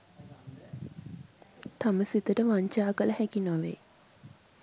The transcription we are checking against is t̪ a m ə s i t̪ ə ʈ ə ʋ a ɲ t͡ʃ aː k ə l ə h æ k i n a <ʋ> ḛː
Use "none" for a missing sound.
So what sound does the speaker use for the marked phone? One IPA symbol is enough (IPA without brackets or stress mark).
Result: ʋ